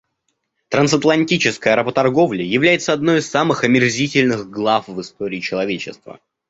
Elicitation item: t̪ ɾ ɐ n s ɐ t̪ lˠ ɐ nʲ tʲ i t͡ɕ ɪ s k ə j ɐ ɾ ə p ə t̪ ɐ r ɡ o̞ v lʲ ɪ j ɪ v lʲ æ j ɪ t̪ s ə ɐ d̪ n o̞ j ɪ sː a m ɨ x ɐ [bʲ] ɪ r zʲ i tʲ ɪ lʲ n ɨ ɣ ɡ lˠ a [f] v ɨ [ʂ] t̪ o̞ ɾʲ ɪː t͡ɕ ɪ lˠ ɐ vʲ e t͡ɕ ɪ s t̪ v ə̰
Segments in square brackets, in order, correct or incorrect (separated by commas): incorrect, correct, incorrect